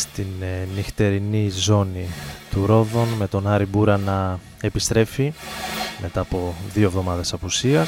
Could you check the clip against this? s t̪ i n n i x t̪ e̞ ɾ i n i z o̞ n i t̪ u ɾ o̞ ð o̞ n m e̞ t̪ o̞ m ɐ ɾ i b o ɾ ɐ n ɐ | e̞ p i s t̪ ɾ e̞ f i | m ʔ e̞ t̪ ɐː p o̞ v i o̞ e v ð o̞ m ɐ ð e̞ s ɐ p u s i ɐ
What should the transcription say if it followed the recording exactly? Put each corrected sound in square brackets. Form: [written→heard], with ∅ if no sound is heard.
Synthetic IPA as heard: s t̪ i n n i x t̪ e̞ ɾ i n i z o̞ n i t̪ u ɾ o̞ ð o̞ n m e̞ t̪ o̞ [m→n] ɐ ɾ i b [o→u] ɾ ɐ n ɐ | e̞ p i s t̪ ɾ e̞ f i | m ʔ e̞ t̪ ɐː p o̞ [v→ð] i o̞ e v ð o̞ m ɐ ð e̞ s ɐ p u s i ɐ